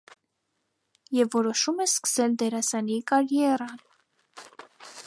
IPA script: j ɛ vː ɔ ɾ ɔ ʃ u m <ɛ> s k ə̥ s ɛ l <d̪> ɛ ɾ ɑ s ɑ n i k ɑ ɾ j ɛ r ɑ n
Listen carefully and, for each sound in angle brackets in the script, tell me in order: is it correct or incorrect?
correct, correct

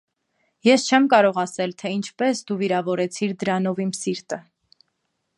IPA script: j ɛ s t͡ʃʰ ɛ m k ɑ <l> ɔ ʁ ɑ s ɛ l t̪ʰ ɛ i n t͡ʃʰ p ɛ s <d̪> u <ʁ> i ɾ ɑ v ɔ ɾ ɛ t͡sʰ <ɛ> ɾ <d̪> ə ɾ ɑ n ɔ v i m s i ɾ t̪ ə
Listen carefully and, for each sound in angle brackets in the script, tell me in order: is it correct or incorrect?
incorrect, correct, incorrect, incorrect, correct

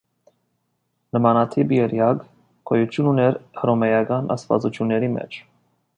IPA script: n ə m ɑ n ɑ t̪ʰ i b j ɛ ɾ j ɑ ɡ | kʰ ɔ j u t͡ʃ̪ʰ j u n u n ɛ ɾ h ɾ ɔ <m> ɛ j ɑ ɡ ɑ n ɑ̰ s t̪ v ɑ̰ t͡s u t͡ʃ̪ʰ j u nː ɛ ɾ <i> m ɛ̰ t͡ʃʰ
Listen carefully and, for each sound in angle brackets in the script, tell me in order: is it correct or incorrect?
correct, correct

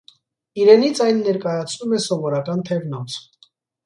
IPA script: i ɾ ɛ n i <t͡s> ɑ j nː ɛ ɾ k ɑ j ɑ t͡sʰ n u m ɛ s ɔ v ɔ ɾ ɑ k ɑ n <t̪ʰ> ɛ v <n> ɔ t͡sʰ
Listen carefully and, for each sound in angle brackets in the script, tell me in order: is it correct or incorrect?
incorrect, correct, correct

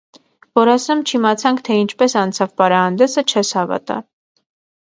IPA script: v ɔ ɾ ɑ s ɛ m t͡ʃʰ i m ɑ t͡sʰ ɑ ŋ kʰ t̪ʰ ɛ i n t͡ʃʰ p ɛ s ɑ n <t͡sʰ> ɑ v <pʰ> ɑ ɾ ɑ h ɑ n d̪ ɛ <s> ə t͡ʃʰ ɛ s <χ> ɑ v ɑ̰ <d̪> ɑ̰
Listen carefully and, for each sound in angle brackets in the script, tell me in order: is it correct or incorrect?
correct, incorrect, correct, incorrect, incorrect

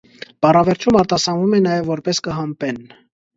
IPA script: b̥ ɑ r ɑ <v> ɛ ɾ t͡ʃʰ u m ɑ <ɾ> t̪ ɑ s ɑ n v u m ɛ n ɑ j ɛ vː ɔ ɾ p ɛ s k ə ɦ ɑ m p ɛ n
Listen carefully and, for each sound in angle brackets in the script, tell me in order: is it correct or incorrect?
correct, correct

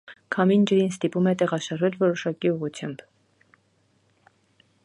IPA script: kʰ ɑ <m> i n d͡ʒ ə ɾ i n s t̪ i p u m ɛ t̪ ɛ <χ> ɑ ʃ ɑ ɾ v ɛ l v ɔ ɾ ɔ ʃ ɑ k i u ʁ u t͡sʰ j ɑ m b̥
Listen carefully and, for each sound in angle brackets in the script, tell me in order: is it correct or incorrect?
correct, incorrect

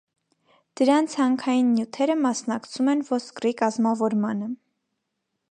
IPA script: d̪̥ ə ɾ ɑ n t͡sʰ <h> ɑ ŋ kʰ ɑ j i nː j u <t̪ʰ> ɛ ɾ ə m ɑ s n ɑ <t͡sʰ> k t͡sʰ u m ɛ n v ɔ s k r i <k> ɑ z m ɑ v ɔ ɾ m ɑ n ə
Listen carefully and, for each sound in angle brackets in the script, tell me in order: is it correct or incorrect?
correct, correct, incorrect, correct

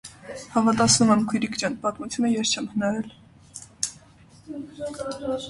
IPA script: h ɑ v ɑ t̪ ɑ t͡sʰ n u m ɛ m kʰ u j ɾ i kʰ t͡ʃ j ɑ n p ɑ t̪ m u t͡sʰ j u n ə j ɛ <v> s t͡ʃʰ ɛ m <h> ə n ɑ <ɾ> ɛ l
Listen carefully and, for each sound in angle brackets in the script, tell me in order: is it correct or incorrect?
incorrect, correct, correct

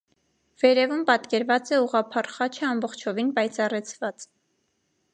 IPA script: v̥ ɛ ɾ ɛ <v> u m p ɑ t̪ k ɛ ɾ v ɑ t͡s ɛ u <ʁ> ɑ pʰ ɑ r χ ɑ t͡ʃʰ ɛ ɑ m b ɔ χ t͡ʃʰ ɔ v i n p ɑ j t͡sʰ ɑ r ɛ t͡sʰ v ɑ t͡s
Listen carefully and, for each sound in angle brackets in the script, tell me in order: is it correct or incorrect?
correct, correct

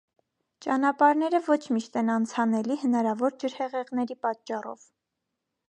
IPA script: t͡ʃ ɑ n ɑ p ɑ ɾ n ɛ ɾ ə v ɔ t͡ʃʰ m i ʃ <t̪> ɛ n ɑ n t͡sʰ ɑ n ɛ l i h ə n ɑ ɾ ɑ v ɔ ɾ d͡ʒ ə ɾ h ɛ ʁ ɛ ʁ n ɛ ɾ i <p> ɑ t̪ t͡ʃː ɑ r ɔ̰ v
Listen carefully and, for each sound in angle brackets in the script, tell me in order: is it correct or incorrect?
correct, correct

